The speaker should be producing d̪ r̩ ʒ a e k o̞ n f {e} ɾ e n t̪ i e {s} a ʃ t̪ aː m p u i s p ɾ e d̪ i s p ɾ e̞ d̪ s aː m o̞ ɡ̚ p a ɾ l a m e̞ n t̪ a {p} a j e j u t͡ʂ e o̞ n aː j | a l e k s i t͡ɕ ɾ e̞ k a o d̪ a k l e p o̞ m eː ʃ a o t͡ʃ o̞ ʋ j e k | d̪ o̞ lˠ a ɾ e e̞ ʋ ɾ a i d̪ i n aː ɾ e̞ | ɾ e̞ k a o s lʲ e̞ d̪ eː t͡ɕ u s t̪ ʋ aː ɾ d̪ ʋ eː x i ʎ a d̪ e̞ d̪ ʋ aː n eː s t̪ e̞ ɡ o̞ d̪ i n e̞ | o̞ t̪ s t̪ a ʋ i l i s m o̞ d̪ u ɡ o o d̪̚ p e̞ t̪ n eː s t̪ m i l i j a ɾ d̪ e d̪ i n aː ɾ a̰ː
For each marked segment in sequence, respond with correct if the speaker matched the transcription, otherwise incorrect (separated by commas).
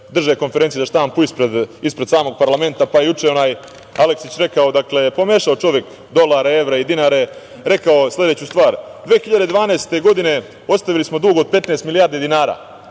correct, incorrect, correct